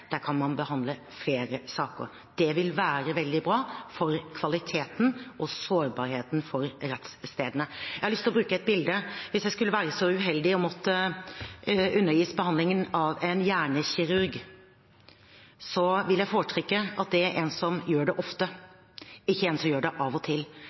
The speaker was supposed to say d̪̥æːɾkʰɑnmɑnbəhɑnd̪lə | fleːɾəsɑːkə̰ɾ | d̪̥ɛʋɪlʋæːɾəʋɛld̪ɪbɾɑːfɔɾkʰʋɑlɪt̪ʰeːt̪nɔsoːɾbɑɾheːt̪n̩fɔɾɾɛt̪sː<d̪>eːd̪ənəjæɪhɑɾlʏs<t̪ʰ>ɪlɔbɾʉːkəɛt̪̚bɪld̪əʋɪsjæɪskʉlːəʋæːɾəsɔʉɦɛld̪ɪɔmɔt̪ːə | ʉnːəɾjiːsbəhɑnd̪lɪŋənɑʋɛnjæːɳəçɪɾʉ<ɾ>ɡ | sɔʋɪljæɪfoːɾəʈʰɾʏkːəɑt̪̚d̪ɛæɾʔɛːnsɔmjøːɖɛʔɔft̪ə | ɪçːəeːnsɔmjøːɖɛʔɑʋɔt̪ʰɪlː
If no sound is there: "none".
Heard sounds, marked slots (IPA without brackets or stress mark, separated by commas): t̪, t̪, ɾ